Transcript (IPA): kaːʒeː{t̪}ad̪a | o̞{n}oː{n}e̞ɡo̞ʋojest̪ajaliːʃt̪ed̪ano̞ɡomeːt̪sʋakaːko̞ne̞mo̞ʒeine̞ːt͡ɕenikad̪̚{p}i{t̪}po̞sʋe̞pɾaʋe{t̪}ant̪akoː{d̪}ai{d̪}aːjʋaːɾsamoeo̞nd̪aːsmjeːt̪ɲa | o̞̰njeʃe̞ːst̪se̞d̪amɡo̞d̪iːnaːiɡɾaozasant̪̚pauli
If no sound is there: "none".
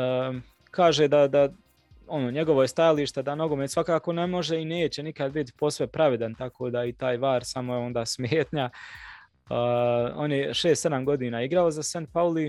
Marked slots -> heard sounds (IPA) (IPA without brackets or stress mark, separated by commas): d̪, n, ɲ, b, t̪, d̪, d̪, t̪